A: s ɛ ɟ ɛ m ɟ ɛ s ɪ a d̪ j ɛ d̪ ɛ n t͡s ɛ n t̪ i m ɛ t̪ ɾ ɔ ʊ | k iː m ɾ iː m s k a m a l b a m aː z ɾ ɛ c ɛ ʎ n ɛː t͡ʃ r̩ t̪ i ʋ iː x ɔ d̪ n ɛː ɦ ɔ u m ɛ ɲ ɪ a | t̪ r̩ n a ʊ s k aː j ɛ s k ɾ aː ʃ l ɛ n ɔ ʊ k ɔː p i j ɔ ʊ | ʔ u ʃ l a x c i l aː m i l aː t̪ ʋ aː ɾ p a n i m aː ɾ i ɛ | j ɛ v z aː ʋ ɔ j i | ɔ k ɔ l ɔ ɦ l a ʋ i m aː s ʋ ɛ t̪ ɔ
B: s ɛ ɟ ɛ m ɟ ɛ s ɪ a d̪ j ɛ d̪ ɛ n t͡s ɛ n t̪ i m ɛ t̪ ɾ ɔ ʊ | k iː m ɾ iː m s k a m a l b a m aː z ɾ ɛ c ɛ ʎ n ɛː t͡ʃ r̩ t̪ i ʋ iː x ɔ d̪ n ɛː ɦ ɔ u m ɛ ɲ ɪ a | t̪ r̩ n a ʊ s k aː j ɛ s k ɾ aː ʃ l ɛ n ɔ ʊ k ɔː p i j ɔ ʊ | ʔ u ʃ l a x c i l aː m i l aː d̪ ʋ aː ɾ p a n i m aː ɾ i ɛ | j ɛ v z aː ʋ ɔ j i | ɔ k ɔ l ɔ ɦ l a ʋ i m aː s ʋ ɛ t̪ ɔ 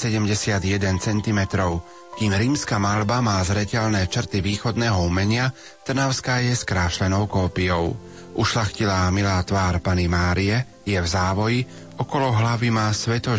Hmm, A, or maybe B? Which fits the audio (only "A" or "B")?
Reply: A